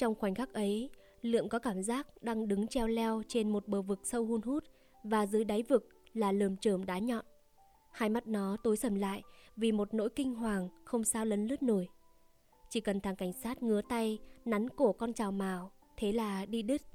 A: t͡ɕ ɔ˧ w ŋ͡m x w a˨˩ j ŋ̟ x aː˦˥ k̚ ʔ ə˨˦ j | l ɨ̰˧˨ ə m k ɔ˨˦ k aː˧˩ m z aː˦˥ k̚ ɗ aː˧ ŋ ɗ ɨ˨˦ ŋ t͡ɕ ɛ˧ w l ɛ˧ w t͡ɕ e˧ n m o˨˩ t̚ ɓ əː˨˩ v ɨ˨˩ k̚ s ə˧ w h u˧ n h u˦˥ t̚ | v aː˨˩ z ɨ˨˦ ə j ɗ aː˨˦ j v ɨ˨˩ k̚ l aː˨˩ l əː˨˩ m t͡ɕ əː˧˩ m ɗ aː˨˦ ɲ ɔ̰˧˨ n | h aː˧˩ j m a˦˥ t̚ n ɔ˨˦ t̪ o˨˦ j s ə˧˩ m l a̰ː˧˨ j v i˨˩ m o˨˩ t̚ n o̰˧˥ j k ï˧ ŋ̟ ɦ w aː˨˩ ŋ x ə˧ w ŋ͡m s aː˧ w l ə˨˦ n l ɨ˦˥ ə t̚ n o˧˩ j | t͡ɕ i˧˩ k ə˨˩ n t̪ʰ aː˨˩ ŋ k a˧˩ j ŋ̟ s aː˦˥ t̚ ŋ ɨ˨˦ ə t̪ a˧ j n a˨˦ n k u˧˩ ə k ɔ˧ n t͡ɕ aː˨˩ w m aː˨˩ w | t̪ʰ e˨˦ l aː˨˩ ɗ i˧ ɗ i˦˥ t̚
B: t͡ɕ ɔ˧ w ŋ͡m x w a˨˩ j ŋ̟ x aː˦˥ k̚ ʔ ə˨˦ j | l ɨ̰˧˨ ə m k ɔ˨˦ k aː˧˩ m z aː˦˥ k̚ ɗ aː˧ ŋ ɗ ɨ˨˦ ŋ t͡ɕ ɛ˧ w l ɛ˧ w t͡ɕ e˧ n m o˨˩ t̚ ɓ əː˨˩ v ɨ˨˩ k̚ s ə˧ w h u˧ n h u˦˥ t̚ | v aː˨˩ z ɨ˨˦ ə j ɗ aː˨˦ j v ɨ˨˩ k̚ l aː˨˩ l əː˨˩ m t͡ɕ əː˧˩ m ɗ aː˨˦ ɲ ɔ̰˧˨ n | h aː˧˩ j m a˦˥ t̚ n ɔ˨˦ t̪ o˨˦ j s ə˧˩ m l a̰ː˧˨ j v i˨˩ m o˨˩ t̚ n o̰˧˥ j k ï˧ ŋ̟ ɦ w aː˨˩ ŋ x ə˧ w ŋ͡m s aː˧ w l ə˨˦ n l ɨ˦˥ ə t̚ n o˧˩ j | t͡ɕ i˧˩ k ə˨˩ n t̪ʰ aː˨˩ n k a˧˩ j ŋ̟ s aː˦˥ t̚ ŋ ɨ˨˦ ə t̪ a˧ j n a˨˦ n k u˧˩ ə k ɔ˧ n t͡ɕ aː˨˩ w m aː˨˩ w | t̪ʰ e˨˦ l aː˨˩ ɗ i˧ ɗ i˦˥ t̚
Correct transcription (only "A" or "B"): A